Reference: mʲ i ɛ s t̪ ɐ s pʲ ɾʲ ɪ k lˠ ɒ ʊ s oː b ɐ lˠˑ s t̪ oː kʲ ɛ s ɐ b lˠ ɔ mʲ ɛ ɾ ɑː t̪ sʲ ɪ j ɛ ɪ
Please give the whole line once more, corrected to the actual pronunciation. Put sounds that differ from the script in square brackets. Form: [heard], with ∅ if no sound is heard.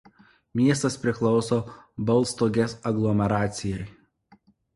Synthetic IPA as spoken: mʲ i ɛ s t̪ ɐ s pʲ ɾʲ ɪ k lˠ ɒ ʊ s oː b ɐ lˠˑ s t̪ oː [ɡʲ] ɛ s ɐ [ɡ] lˠ ɔ mʲ ɛ ɾ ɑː t̪ sʲ ɪ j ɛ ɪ